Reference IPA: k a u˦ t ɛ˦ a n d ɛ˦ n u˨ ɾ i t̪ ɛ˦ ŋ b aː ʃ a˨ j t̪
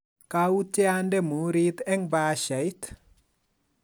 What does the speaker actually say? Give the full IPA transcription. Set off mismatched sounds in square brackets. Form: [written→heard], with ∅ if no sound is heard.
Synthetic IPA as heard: k a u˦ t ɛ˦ a n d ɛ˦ [n→m] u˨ ɾ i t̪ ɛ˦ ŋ b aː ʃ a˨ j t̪

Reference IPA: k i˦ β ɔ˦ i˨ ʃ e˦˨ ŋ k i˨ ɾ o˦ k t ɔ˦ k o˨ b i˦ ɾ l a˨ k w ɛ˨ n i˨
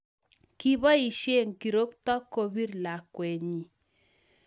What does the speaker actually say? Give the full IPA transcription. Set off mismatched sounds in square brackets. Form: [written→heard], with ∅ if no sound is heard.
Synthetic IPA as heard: k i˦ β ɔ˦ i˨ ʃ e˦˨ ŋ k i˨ ɾ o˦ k t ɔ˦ k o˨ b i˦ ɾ l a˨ k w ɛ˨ [n→ɲ] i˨

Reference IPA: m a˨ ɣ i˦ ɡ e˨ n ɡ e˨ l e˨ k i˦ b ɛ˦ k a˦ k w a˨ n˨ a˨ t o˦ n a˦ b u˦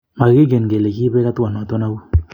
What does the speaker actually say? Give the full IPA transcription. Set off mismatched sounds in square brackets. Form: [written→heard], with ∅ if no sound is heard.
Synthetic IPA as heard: m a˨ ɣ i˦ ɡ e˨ n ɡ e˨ l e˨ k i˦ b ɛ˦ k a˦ [k→t] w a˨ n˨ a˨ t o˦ n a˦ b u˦

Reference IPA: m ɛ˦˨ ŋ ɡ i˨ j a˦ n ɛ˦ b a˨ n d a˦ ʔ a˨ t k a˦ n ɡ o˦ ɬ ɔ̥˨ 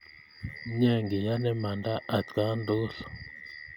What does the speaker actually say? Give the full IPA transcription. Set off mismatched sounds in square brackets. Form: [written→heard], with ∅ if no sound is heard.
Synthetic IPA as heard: [m→ɲ] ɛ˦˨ ŋ ɡ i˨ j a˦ n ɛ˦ [b→m] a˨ n d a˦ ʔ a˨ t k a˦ n [ɡ→d] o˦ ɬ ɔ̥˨

